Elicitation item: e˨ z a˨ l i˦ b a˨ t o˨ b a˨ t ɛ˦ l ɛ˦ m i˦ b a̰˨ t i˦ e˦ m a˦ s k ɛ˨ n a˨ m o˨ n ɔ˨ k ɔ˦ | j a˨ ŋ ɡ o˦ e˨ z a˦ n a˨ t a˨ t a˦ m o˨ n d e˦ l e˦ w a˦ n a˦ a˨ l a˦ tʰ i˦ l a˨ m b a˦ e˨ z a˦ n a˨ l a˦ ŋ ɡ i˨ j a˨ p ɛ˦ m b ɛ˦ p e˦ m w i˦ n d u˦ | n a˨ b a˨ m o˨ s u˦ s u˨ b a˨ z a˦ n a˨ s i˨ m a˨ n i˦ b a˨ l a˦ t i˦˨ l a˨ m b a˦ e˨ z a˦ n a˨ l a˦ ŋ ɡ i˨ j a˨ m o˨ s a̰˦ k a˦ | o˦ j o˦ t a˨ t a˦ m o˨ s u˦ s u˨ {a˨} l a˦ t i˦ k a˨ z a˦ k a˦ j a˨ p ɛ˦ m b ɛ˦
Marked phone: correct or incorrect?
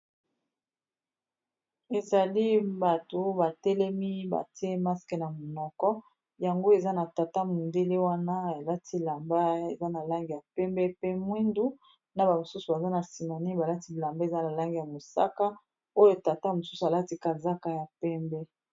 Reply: correct